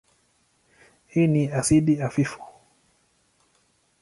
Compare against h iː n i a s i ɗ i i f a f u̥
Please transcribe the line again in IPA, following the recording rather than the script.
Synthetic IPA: h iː n i a s i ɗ i a f i f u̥